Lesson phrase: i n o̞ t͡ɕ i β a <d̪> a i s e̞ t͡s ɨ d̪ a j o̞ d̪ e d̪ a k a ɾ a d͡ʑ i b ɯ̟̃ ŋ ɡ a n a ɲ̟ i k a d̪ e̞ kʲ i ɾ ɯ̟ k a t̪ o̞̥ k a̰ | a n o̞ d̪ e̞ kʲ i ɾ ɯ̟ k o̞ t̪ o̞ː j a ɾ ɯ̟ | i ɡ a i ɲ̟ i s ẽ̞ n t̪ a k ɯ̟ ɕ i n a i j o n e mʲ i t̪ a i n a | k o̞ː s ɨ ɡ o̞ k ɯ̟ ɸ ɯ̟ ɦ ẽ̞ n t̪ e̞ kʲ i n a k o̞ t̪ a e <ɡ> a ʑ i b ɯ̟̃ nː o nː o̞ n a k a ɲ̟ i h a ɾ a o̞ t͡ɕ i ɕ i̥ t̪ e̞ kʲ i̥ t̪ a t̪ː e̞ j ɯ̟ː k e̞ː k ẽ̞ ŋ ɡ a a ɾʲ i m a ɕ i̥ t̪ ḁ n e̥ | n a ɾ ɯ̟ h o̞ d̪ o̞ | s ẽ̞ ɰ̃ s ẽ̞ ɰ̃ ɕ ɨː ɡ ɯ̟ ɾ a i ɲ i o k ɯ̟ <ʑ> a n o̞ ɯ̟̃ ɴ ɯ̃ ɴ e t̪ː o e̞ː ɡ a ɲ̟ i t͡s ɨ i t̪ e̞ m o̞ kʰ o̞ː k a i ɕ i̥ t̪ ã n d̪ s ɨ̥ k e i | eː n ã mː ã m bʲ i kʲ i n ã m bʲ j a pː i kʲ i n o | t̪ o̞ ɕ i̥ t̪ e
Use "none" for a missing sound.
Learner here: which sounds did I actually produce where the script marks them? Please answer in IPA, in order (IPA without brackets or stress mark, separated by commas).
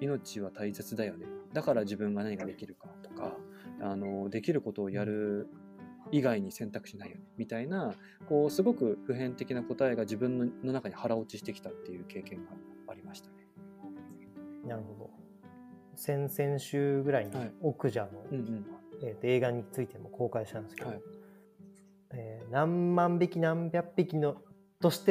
t̪, ɡ, ʑ